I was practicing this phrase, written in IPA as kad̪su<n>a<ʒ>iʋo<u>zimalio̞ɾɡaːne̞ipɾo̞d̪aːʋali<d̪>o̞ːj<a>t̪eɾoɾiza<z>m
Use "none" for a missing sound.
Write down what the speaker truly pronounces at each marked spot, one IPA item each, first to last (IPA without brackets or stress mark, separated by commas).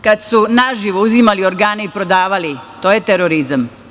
n, ʒ, u, t̪, e, none